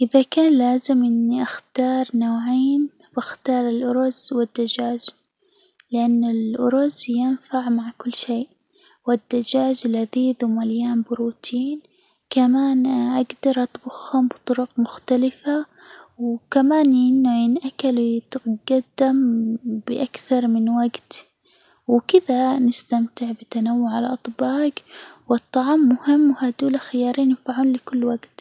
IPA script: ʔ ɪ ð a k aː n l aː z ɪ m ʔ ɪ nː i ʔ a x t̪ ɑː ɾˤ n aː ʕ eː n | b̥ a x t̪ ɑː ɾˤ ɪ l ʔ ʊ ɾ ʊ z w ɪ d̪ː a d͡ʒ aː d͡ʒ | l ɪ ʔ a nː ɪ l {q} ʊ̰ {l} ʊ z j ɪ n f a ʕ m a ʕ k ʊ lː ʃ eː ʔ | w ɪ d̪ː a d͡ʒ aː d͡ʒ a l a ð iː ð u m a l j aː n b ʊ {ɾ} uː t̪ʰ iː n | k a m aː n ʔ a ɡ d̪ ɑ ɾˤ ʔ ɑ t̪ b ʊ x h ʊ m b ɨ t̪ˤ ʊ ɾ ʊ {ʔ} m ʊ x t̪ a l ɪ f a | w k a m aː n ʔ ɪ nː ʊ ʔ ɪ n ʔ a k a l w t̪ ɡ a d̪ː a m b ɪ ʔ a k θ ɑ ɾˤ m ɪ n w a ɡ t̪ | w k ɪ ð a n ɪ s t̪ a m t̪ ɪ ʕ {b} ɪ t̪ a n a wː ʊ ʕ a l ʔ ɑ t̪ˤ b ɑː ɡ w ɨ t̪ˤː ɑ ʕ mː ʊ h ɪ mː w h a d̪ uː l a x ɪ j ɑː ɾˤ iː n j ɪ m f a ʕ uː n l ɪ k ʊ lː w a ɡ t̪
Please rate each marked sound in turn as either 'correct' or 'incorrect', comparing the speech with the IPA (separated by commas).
incorrect, incorrect, correct, incorrect, correct